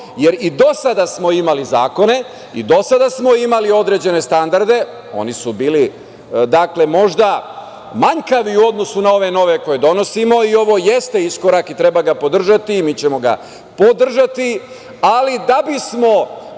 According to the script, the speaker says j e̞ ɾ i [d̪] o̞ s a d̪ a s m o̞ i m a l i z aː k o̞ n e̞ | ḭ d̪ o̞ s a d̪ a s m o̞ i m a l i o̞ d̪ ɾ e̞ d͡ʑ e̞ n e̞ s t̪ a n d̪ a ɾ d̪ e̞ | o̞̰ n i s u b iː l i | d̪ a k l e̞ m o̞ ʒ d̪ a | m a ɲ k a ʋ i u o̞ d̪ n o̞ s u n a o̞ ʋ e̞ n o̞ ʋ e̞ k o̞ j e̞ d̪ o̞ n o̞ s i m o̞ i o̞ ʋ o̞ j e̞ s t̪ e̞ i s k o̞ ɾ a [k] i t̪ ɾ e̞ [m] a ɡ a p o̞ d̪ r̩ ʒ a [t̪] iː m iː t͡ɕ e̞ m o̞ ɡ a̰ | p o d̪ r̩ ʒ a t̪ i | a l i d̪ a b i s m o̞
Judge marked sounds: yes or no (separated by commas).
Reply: yes, yes, no, yes